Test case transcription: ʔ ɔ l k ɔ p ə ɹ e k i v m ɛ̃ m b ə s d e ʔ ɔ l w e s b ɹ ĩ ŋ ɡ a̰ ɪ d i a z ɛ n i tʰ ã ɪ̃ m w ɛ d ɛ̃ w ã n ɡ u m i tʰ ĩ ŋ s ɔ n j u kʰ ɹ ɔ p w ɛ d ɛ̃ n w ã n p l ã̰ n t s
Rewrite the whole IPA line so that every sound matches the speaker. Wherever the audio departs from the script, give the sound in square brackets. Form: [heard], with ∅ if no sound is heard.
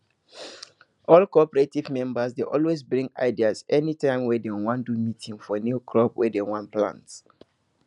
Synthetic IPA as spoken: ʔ ɔ l k ɔ p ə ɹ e [t] i v m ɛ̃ m b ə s d e ʔ ɔ l w e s b ɹ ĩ ŋ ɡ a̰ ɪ d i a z ɛ n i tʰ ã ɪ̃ m w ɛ d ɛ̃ w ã n [d] u m i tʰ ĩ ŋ [f] ɔ n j u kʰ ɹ ɔ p w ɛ d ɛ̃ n w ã n p l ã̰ n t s